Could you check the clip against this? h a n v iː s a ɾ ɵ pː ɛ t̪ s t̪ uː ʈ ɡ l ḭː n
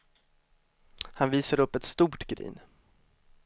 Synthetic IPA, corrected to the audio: h a n v iː s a ɾ ɵ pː ɛ t̪ s t̪ uː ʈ ɡ ɾ ḭː n